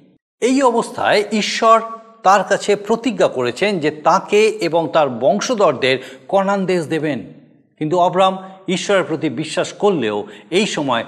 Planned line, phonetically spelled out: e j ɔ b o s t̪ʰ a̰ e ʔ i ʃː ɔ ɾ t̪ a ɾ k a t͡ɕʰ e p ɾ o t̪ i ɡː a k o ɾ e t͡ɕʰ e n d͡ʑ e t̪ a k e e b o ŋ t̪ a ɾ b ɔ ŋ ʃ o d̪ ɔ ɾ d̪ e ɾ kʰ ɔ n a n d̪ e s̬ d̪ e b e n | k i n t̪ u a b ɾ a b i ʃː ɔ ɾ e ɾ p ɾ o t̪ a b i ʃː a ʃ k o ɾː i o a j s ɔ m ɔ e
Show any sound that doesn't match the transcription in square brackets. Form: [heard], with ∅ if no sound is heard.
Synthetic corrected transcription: e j ɔ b o s t̪ʰ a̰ e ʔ i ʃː ɔ ɾ t̪ a ɾ k a t͡ɕʰ e p ɾ o t̪ i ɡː a k o ɾ e t͡ɕʰ e n d͡ʑ e t̪ a k e e b o ŋ t̪ a ɾ b ɔ ŋ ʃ o d̪ ɔ ɾ d̪ e ɾ [k] ɔ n a n d̪ e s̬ d̪ e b e n | k i n t̪ u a b ɾ a [m] i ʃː ɔ ɾ e ɾ p ɾ o t̪ [i] b i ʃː a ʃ k o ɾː [e] o [e] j [ʃ] ɔ m ɔ e